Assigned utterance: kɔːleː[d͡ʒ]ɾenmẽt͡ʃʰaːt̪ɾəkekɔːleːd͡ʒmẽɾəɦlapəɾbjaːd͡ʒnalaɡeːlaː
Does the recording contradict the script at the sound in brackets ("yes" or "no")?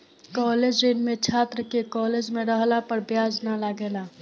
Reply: no